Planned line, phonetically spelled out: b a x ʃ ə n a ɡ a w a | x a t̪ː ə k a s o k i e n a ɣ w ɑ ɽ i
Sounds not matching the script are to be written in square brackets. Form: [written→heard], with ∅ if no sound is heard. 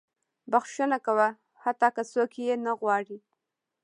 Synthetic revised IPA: b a x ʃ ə n a [ɡ→k] a w a | [x→h] a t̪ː [ə→ɑ] k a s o k [i→j] e n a ɣ w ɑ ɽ i